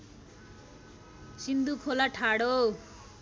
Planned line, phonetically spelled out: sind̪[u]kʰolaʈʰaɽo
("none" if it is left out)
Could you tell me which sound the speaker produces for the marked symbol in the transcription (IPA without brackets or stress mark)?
u